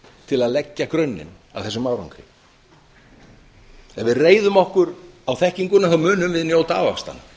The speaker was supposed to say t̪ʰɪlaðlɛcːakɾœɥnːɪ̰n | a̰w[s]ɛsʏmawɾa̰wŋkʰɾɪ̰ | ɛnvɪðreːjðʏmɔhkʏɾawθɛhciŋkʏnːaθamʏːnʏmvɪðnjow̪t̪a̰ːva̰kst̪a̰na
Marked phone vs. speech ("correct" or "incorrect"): incorrect